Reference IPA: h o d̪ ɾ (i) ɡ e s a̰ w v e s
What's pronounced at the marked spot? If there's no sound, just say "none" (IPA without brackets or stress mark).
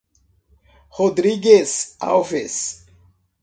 i